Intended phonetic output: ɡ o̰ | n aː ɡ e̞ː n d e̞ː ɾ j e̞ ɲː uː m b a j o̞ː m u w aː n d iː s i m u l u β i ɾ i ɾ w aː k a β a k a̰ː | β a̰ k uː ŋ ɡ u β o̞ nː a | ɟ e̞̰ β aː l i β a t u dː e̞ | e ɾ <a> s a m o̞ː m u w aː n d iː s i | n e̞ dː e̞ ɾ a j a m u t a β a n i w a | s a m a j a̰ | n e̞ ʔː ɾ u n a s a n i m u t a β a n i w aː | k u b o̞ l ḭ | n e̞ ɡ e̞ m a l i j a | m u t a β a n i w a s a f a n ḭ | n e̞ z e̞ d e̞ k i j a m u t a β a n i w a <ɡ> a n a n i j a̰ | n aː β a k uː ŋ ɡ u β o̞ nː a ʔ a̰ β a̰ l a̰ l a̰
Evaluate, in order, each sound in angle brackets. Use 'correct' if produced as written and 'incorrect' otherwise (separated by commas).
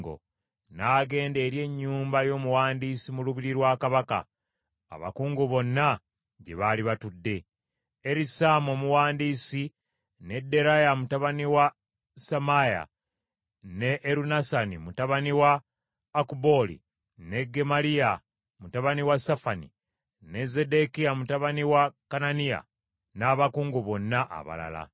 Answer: incorrect, incorrect